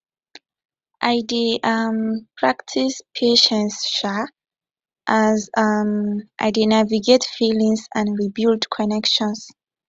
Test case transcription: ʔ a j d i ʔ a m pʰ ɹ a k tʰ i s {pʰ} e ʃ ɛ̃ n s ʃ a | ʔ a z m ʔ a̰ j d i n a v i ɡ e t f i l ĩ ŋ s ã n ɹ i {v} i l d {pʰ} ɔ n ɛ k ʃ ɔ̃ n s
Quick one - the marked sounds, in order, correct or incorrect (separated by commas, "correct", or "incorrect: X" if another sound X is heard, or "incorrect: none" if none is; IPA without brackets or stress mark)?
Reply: correct, incorrect: b, incorrect: kʰ